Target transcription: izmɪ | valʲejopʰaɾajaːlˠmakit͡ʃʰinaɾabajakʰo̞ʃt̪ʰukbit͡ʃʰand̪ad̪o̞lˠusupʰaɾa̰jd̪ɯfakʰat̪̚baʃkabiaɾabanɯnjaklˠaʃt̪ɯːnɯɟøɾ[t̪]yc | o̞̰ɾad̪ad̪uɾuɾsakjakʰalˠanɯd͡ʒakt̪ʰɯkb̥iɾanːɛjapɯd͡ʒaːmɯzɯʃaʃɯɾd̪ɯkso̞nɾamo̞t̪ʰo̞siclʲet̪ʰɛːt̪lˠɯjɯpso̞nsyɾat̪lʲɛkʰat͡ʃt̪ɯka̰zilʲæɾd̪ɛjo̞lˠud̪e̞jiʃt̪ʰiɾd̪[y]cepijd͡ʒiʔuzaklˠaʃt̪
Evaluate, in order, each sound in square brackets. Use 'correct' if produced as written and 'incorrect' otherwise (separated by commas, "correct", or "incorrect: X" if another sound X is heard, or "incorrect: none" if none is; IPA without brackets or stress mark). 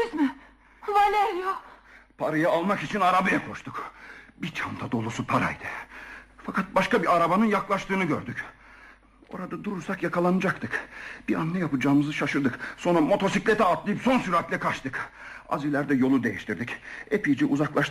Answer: incorrect: d̪, incorrect: i